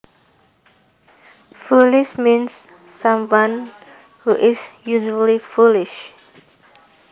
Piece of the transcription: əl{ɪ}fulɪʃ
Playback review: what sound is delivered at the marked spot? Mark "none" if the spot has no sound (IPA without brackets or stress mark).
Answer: i